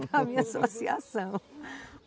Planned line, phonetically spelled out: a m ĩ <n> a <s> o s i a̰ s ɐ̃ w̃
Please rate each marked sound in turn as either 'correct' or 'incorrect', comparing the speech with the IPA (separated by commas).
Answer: incorrect, correct